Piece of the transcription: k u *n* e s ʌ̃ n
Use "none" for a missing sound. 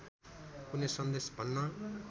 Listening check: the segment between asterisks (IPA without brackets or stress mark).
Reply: n